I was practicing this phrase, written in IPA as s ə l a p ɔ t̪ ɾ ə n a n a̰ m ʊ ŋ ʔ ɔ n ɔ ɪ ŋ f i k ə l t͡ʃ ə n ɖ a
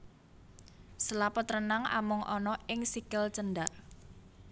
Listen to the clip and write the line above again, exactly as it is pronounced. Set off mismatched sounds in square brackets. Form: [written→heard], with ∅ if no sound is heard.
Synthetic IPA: s ə l a p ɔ t̪ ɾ ə n a [n→ŋ] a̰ m ʊ ŋ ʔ ɔ n ɔ ɪ ŋ [f→s] i k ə l t͡ʃ ə n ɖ a